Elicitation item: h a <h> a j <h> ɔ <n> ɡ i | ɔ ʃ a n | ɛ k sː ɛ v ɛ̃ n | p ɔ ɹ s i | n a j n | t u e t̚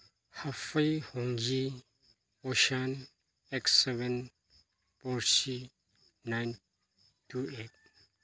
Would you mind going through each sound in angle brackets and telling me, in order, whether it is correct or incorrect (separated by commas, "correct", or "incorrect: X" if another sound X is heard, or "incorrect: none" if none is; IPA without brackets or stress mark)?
incorrect: f, correct, incorrect: ŋ